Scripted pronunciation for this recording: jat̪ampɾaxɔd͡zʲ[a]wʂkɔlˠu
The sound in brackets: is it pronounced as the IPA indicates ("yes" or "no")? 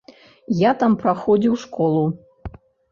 no